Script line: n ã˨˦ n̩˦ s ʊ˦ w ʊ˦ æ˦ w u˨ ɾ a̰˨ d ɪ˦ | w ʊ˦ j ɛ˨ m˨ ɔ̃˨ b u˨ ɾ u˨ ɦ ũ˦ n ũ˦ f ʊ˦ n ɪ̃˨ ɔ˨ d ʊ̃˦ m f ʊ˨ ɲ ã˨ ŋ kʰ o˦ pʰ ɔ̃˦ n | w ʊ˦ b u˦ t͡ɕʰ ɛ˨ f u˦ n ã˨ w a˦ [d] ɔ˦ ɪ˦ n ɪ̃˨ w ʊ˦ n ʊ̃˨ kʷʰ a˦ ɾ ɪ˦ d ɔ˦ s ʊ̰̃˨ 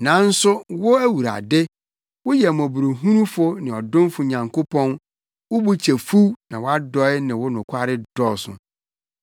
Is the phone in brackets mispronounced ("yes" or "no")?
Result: no